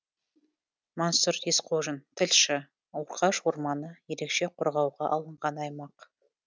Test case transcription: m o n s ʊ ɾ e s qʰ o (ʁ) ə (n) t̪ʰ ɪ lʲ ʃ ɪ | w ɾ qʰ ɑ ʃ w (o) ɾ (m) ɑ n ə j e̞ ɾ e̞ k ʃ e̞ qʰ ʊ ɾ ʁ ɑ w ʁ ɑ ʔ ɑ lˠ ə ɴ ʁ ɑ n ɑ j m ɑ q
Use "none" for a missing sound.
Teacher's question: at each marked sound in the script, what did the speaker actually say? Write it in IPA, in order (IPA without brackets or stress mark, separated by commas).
ʒ, n, o, m